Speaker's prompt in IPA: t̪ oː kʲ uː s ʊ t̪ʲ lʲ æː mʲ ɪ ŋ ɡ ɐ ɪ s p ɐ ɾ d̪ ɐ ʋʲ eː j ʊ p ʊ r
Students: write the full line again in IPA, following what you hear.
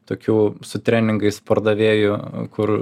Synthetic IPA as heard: t̪ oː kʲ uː s ʊ t̪ʲ ɾʲ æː nʲ ɪ ŋ ɡ ɐ ɪ s p ɐ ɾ d̪ ɐ ʋʲ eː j ʊ k ʊ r